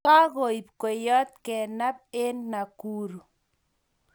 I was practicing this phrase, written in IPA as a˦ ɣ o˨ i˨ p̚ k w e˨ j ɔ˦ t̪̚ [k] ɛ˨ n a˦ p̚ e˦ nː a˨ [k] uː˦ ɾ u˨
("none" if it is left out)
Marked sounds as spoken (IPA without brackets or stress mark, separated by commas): k, k